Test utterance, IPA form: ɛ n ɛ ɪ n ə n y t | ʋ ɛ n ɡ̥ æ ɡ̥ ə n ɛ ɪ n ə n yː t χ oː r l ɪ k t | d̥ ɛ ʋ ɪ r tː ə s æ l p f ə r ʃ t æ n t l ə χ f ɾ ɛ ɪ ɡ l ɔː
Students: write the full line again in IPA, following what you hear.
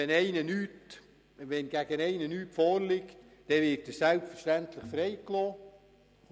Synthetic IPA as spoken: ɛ n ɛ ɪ n ə n y t | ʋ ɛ n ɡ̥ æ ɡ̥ ə n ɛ ɪ n ə n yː t f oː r l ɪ k t | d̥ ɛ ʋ ɪ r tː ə s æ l p f ə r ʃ t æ n t l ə χ f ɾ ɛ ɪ k l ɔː